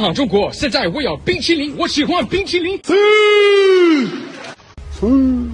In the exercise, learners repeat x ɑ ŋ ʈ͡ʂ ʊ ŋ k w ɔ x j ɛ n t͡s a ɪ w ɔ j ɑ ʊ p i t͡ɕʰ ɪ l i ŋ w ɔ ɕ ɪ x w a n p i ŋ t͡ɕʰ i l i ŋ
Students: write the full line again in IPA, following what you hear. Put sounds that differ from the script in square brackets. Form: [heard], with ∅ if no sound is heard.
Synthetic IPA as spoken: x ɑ ŋ ʈ͡ʂ ʊ ŋ k w ɔ [ɕ] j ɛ n t͡s a ɪ w ɔ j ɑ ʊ p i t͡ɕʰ [i] l i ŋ w ɔ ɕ [i] x w a n p i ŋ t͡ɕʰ i l i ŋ

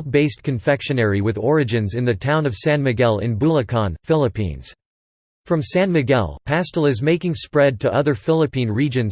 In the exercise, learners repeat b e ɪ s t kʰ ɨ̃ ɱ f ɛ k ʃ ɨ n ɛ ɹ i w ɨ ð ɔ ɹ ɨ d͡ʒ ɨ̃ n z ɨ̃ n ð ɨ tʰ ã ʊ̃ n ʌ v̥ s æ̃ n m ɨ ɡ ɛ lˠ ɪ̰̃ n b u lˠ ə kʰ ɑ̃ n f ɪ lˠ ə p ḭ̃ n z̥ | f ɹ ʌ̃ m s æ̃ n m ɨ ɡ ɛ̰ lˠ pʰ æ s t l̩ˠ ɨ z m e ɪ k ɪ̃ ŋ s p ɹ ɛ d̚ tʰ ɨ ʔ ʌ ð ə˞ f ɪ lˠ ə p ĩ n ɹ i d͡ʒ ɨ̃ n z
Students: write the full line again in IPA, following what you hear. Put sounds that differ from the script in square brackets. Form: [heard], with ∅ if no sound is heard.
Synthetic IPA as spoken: b e ɪ s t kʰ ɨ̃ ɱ f ɛ k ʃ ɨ n ɛ ɹ i w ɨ ð ɔ ɹ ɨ d͡ʒ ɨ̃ n z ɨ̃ n ð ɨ tʰ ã ʊ̃ n ʌ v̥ s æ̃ n m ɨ ɡ ɛ lˠ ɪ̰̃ n b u lˠ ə kʰ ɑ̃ n f ɪ lˠ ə p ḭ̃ n z̥ | f ɹ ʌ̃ m s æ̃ n m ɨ ɡ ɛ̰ lˠ pʰ æ s t l̩ˠ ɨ z m e ɪ k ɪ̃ ŋ s p ɹ ɛ d̚ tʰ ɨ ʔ ʌ ð ə˞ f ɪ lˠ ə p ĩ n ɹ i d͡ʒ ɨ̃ n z

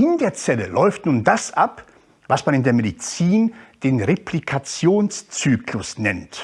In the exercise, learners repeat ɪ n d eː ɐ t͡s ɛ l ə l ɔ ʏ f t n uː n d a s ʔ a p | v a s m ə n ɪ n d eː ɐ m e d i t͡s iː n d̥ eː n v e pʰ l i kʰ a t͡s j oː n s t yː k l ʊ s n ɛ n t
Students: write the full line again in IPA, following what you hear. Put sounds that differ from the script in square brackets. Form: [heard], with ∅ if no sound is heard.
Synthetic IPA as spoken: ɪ n d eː ɐ t͡s ɛ l ə l ɔ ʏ f t n uː n d a s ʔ a p | v a s m [a] n ɪ n d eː ɐ m e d i t͡s iː n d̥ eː n [ʁ] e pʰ l i kʰ a t͡s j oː n s [t͡s] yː k l ʊ s n ɛ n t

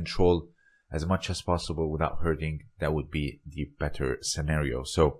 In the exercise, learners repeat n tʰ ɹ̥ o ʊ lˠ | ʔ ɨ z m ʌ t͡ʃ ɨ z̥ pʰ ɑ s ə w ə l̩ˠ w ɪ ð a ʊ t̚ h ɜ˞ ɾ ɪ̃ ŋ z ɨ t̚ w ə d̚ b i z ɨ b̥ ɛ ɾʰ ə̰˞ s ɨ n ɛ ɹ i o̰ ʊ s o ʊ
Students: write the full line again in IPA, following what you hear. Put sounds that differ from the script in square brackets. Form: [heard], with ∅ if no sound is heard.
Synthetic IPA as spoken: n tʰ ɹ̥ o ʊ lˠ | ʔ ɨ z m ʌ t͡ʃ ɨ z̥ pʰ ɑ s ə [b] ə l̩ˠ w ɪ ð a ʊ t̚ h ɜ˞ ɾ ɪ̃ ŋ [ð] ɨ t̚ w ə d̚ b i [ð] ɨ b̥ ɛ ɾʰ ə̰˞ s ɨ n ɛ ɹ i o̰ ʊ s o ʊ

